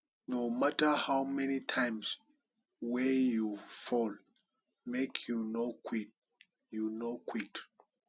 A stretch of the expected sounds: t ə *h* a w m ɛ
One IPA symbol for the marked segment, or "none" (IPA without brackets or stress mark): h